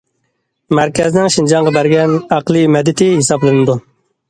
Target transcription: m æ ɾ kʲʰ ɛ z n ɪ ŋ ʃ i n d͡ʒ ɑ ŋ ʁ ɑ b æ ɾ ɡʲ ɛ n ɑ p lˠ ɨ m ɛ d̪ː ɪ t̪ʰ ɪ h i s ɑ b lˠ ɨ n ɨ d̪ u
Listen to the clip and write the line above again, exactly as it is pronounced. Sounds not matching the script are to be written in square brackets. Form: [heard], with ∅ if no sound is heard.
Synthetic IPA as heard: m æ ɾ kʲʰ ɛ z n ɪ ŋ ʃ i n d͡ʒ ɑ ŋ ʁ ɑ b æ ɾ ɡʲ ɛ n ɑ [q] lˠ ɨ m ɛ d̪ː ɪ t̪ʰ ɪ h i s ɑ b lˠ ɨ n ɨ d̪ u